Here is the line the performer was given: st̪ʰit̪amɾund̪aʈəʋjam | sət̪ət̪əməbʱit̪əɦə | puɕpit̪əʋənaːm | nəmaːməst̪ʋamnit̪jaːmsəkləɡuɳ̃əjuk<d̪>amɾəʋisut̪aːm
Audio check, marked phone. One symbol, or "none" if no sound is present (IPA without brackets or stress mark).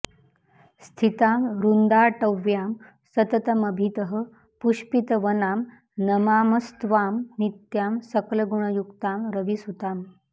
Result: t̪